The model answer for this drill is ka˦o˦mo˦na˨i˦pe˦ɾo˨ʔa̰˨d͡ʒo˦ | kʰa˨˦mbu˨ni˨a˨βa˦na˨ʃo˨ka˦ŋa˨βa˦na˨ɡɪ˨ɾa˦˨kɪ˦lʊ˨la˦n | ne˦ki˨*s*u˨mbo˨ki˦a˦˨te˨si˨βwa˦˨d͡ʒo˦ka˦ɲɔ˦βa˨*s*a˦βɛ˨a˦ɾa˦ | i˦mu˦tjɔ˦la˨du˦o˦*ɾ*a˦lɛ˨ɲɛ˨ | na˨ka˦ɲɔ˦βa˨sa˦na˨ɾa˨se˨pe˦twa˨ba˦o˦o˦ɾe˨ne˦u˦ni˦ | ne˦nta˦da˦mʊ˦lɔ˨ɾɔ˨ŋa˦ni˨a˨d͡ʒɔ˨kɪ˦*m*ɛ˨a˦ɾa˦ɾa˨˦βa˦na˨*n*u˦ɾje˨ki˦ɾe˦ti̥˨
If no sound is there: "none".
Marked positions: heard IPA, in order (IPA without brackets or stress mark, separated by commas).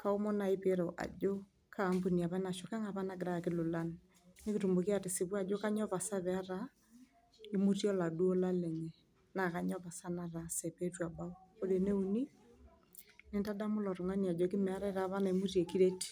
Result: t, s, l, m, m